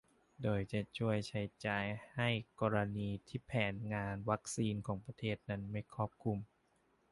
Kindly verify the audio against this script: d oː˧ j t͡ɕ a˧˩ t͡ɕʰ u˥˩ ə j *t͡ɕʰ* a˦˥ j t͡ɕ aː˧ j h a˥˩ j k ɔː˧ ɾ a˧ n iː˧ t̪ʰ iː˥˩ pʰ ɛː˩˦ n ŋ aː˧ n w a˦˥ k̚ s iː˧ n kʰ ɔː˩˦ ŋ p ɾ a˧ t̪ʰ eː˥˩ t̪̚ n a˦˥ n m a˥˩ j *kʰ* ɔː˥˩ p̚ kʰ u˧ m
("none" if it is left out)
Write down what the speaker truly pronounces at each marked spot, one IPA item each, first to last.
t͡ɕʰ, kʰ

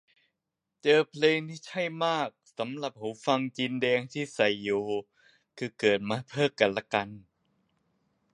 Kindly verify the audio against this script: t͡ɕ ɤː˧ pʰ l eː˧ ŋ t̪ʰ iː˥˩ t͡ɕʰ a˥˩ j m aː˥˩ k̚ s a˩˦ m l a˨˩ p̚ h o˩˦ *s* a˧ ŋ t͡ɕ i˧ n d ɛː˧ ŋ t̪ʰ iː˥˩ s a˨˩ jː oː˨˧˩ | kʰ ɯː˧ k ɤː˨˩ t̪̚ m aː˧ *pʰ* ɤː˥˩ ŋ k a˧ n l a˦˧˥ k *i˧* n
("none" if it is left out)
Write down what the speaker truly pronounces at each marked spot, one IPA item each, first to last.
f, pʰ, a˧

